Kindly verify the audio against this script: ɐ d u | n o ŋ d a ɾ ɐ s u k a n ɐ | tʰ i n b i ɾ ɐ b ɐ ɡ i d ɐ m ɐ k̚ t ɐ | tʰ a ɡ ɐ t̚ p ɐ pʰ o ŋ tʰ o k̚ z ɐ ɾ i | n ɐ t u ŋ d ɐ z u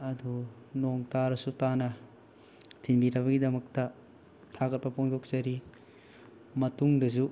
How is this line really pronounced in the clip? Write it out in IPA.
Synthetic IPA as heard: ɐ d u | n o ŋ t a ɾ ɐ s u t a n ɐ | tʰ i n b i ɾ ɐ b ɐ ɡ i d ɐ m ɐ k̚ t ɐ | tʰ a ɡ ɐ t̚ p ɐ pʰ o ŋ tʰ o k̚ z ɐ ɾ i | m ɐ t u ŋ d ɐ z u